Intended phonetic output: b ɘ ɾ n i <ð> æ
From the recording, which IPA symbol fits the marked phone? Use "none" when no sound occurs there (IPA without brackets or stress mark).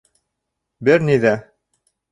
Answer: ð